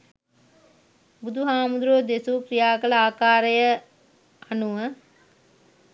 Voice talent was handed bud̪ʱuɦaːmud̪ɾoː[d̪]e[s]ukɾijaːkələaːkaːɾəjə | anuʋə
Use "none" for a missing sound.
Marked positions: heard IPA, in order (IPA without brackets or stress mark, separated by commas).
d̪, s